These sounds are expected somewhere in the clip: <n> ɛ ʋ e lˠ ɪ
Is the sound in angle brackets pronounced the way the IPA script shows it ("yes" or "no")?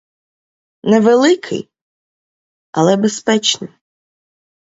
yes